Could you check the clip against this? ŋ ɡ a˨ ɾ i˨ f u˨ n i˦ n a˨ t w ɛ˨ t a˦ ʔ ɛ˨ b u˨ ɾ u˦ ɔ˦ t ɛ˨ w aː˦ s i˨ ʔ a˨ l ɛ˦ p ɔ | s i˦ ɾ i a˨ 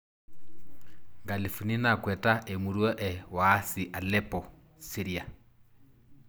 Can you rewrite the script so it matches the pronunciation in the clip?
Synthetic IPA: ŋ ɡ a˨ l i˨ f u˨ n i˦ n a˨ k w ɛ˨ t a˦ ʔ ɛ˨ m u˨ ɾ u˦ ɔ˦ ʔ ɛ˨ w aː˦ s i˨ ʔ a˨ l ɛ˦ p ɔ | s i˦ ɾ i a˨

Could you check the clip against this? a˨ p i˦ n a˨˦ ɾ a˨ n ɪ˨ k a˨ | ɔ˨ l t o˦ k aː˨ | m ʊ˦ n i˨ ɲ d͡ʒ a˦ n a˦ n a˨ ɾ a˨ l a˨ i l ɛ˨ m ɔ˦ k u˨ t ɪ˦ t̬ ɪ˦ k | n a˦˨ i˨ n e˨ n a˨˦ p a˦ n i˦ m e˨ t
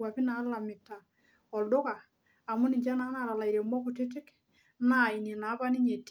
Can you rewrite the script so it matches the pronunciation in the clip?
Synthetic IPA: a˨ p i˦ n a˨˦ l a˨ m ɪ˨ t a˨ | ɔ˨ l d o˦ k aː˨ | m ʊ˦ n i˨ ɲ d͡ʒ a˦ n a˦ n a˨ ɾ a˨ l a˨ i ɾ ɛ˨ m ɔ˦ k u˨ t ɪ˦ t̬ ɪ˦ k | n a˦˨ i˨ n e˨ n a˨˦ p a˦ n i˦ ɲ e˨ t

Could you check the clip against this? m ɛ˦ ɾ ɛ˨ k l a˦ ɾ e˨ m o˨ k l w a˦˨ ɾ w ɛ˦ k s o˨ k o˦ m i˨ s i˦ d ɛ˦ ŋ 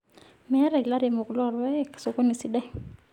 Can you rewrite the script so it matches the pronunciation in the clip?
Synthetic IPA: m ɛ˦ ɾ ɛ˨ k l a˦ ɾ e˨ m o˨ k l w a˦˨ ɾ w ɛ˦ k s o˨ k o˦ n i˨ s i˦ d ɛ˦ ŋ

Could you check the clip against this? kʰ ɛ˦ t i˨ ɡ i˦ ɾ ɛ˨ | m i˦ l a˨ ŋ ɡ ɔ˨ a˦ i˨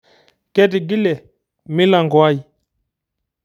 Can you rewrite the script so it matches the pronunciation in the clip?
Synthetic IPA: k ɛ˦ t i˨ ɡ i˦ l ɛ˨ | m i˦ l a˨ ŋ ɡ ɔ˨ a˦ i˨

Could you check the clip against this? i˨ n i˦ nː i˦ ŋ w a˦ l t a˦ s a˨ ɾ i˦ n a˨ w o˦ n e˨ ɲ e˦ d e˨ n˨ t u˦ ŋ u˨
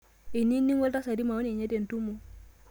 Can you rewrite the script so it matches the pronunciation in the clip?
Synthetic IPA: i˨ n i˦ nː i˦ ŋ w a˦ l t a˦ s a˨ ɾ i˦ m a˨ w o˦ n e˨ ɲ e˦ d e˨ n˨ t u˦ m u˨

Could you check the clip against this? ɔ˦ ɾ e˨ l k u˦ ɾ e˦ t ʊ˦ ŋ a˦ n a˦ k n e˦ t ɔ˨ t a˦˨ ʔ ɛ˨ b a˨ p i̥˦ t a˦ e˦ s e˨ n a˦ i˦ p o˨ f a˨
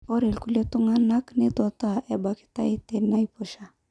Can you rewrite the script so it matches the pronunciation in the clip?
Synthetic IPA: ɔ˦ ɾ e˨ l k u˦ l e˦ t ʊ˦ ŋ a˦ n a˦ k n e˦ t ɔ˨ t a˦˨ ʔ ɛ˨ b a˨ k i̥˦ t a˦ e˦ t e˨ n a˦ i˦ p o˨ ʃ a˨

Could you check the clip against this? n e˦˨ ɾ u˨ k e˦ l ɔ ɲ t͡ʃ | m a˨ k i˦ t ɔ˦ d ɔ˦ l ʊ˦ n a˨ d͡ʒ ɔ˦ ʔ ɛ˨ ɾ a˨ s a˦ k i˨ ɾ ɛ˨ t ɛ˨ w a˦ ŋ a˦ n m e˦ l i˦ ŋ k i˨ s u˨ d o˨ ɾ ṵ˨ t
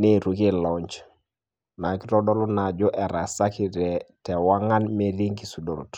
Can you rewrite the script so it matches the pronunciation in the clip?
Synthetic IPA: n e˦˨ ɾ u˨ k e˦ l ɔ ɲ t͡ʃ | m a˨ k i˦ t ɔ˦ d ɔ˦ l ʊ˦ n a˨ d͡ʒ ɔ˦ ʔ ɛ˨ ɾ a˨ s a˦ k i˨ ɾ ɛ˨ t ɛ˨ w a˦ ŋ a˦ n m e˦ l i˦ ŋ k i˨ s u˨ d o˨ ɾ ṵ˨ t

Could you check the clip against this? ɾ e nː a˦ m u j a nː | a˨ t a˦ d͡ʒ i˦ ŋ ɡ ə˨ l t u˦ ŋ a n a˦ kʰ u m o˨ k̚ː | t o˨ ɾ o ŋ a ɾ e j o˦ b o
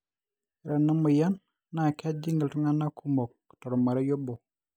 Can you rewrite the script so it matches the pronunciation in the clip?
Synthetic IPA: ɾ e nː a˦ m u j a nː | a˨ k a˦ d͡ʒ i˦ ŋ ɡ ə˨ l t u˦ ŋ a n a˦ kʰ u m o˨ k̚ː | t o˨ ɾ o m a ɾ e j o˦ b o

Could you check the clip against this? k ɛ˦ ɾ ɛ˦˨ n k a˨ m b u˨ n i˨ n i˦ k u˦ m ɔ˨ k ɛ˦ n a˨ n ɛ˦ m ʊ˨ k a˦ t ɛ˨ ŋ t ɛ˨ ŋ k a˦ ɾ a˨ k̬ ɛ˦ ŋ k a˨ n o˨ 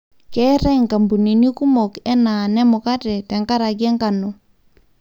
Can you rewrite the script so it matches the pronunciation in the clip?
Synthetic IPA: k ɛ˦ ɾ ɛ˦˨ ŋ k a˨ m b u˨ n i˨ n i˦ k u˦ m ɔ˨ k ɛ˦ n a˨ n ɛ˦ m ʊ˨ k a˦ t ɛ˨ t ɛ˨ ŋ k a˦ ɾ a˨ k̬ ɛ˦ ŋ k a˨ n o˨

